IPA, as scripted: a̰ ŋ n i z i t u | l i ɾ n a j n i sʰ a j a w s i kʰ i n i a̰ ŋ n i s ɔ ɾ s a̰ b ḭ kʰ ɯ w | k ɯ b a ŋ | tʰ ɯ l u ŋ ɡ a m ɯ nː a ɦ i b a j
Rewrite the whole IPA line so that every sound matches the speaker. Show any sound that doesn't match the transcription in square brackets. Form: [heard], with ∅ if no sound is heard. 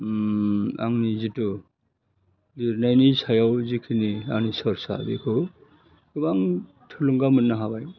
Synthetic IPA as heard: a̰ ŋ n i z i t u | l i ɾ n a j n i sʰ a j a w [z] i kʰ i n i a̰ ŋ n i s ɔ ɾ s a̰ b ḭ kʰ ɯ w | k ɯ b a ŋ | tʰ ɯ l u ŋ ɡ a m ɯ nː a ɦ [a] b a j